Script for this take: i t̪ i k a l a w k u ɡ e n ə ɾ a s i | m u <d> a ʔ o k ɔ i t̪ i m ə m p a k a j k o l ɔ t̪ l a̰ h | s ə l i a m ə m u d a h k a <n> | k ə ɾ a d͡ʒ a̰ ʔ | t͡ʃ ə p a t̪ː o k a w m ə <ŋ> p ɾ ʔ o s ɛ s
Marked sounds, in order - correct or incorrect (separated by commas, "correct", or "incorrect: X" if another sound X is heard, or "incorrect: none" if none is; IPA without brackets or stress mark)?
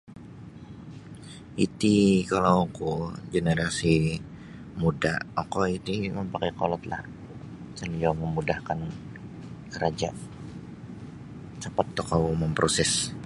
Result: correct, correct, incorrect: m